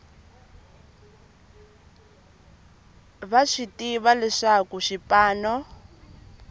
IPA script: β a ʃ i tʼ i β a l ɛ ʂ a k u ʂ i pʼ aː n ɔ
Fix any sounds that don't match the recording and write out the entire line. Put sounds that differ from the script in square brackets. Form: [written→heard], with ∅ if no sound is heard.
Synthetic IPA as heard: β a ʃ i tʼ i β a l ɛ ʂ a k u [ʂ→ʃ] i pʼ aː n ɔ